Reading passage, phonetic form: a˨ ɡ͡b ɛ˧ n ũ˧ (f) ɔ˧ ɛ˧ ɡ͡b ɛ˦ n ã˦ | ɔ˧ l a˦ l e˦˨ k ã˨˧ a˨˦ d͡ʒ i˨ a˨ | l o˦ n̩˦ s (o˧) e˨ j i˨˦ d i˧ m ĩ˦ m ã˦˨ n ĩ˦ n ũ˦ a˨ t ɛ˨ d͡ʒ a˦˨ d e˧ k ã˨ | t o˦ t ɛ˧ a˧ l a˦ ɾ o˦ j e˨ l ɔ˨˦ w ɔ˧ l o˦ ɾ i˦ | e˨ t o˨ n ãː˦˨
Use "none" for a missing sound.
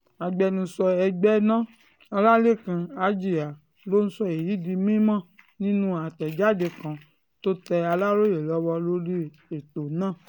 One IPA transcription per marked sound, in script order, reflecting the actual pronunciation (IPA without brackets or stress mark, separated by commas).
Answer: s, ɔ˧